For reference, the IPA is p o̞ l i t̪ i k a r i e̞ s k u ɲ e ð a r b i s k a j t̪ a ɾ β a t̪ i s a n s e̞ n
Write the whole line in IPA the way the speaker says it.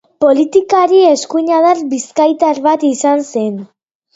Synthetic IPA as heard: p o̞ l i t̪ i k a ɾ i e̞ s k u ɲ a ð a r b i s k a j t̪ a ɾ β a t̪ i s a n s e̞ n